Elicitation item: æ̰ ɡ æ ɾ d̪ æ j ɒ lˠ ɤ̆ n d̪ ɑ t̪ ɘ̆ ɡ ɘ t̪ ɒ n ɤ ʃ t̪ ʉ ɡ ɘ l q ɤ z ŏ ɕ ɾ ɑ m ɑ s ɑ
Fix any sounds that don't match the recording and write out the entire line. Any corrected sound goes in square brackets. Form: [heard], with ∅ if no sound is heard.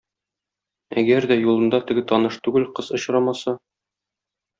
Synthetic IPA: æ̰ ɡ æ ɾ d̪ æ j [u] lˠ ɤ̆ n d̪ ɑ t̪ ɘ̆ ɡ ɘ t̪ ɒ n ɤ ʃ t̪ ʉ ɡ ɘ l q ɤ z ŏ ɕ ɾ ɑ m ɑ s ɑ